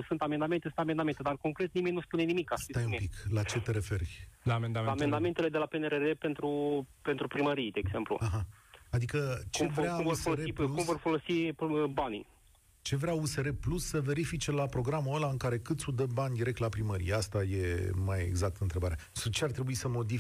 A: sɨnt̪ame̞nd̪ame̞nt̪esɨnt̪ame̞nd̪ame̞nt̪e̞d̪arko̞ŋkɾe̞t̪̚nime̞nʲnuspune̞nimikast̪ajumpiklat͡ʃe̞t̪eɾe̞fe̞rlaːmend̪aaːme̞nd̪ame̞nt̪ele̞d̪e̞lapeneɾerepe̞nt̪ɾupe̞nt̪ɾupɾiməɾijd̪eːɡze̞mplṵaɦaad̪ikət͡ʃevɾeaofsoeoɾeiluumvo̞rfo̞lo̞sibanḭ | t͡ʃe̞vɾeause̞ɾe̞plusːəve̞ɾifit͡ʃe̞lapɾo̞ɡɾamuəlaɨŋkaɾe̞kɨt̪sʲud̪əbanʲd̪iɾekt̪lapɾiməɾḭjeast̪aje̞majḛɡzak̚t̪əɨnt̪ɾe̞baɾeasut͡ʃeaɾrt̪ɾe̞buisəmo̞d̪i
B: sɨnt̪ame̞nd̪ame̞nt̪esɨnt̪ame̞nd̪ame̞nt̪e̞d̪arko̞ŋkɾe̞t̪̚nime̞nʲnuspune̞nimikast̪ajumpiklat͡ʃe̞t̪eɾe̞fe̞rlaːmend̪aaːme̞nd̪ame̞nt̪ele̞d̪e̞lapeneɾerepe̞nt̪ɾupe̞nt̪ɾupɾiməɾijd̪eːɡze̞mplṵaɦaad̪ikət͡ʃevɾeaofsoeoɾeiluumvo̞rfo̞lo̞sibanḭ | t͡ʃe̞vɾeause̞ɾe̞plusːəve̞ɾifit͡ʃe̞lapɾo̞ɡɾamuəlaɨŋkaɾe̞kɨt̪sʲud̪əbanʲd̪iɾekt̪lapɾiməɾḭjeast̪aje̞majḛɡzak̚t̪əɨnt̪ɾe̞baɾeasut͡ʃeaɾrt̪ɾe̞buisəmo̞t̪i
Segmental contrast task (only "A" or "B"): A